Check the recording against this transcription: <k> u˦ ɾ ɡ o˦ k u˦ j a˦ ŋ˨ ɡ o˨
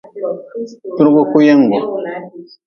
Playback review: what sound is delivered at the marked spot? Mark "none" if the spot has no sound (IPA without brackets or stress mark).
t